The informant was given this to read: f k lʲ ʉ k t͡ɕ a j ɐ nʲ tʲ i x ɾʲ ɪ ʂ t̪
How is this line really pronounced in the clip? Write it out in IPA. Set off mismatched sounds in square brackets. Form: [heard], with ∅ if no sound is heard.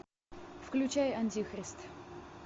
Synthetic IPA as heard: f k lʲ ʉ [∅] t͡ɕ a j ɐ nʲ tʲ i x ɾʲ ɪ [s] t̪